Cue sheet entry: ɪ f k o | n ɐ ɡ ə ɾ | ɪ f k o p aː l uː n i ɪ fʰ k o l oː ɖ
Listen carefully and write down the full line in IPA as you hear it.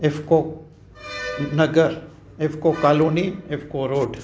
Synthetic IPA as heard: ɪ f k o | n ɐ ɡ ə ɾ | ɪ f k o k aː l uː n i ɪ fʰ k o ɾ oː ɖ